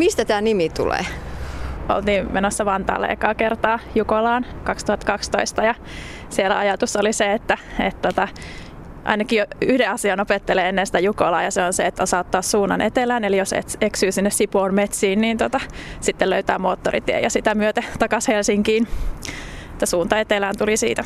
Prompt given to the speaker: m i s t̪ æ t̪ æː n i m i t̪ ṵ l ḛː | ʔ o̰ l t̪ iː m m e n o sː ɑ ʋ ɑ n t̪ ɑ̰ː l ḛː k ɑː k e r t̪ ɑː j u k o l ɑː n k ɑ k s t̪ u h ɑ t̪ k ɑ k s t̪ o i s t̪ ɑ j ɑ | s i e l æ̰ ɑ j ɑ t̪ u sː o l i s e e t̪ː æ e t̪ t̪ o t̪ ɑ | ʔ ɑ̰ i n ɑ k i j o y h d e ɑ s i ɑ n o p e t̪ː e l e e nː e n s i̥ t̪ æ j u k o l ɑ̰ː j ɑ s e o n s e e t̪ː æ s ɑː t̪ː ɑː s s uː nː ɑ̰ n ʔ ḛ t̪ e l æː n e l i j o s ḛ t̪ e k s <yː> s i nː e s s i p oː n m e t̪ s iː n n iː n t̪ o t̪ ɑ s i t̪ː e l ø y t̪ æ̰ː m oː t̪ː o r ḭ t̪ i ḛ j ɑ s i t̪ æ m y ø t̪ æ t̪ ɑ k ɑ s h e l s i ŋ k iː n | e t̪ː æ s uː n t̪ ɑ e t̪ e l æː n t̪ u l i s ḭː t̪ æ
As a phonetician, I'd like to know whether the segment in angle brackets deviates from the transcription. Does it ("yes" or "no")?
no